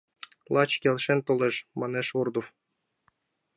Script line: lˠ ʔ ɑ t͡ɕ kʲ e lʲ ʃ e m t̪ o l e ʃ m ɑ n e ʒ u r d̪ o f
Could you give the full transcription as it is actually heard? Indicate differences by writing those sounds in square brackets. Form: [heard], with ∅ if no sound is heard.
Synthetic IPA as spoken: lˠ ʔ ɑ t͡ɕ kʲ e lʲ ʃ e [n] t̪ o l e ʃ m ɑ n e [ʃ] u r d̪ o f